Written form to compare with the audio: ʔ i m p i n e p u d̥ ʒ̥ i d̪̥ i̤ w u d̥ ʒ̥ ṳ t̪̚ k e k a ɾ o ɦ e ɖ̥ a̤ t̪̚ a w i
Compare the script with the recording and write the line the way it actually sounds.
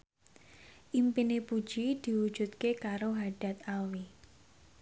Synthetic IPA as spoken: ʔ i m p i n e p u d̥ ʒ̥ i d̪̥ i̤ w u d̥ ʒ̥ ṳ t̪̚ k e k a ɾ o ɦ a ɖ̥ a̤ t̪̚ a w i